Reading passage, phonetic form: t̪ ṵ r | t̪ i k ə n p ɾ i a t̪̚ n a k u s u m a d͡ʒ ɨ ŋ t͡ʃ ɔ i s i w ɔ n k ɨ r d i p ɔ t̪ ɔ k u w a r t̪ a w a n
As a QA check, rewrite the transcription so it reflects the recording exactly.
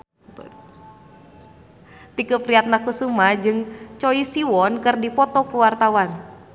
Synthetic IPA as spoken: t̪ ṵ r | t̪ i k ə p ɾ i a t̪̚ n a k u s u m a d͡ʒ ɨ ŋ t͡ʃ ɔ i s i w ɔ n k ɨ r d i p ɔ t̪ ɔ k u w a r t̪ a w a n

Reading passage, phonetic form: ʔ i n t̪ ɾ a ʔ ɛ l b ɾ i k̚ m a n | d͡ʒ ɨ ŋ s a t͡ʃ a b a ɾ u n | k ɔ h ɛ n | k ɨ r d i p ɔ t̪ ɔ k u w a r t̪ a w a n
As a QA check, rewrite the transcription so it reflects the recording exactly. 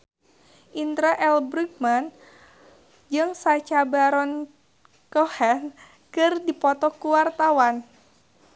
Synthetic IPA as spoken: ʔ i n t̪ ɾ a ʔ ɛ l b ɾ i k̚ m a n | d͡ʒ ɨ ŋ s a t͡ʃ a b a ɾ ɔ n | k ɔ h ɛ n | k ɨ r d i p ɔ t̪ ɔ k u w a r t̪ a w a n

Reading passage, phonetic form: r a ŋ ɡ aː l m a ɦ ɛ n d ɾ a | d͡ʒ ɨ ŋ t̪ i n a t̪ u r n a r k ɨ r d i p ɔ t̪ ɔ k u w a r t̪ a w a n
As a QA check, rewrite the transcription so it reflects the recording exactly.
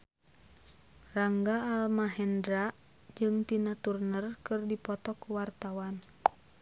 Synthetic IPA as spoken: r a ŋ ɡ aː l m a ɦ ɛ n d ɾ a | d͡ʒ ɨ ŋ t̪ i n a t̪ u r n ə r k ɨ r d i p ɔ t̪ ɔ k u w a r t̪ a w a n

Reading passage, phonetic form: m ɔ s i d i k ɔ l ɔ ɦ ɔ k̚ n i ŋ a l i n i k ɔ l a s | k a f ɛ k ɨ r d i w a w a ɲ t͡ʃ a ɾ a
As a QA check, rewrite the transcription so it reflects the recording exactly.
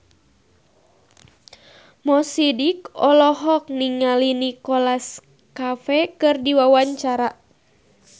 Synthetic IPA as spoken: m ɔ s i d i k ɔ l ɔ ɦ ɔ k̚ n i ŋ a l i n i k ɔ l a s | k a f ɛ k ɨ r d i w a w a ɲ t͡ʃ a ɾ a

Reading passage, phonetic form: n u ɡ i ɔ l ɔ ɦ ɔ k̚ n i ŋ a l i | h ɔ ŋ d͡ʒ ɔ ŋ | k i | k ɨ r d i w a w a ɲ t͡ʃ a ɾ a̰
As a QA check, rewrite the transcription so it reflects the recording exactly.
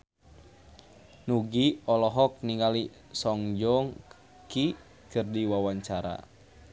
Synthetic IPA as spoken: n u ɡ i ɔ l ɔ ɦ ɔ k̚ n i ŋ a l i | s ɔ ŋ d͡ʒ ɔ ŋ | k i | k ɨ r d i w a w a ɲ t͡ʃ a ɾ a̰

